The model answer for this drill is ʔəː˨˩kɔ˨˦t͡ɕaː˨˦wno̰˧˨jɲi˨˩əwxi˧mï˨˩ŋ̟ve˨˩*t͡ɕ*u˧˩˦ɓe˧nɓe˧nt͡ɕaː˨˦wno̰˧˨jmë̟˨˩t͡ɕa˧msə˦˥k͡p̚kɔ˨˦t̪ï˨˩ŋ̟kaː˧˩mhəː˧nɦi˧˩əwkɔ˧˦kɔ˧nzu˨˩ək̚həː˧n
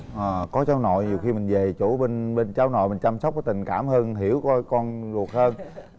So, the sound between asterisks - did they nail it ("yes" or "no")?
yes